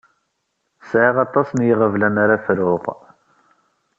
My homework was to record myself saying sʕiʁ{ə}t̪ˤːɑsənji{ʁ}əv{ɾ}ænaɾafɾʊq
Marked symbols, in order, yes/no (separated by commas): no, yes, no